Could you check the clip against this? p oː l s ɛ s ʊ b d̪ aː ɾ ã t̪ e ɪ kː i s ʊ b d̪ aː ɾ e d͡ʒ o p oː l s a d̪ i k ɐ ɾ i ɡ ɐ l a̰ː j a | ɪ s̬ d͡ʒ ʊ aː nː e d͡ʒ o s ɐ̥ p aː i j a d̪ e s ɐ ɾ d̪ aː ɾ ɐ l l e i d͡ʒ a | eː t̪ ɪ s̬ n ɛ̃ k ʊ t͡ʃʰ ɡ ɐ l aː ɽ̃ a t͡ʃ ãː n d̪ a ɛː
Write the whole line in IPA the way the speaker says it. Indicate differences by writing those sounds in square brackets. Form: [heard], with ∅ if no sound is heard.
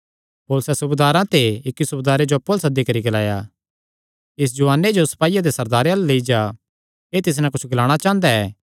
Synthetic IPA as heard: p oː l s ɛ s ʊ b d̪ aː ɾ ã t̪ e ɪ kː i s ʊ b d̪ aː ɾ e d͡ʒ o p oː l s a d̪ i k ɐ ɾ i ɡ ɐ l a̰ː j a | ɪ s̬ d͡ʒ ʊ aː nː e d͡ʒ o s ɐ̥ p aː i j a d̪ e s ɐ ɾ d̪ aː ɾ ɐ l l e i d͡ʒ a | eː t̪ ɪ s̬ n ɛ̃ k ʊ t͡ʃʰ ɡ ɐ l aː ɽ̃ a t͡ʃ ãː n d̪ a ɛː